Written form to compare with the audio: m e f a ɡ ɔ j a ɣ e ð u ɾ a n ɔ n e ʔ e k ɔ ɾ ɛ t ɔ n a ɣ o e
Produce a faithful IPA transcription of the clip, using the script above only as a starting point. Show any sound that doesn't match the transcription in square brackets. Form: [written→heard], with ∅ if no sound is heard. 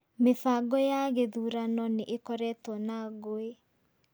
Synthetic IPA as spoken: m e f a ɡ ɔ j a ɣ e ð u ɾ a n ɔ n e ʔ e k ɔ ɾ ɛ t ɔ n a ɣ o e